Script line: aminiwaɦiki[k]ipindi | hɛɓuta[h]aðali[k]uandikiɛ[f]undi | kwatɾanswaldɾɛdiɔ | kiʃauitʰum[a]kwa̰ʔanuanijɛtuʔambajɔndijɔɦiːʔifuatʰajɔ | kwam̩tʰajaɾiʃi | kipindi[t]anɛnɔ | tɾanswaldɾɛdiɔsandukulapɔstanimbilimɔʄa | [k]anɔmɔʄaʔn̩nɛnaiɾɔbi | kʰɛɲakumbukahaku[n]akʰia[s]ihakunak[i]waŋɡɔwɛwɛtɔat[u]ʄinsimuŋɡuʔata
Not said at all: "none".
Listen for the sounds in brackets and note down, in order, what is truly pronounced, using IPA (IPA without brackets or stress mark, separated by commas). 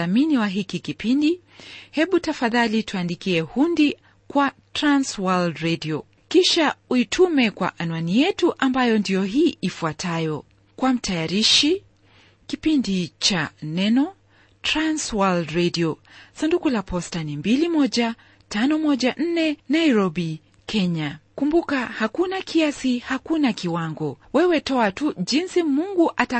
k, f, t, h, ɛ, t͡ʃ, t, n, s, i, u